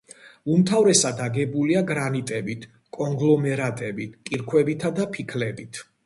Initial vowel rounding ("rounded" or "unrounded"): rounded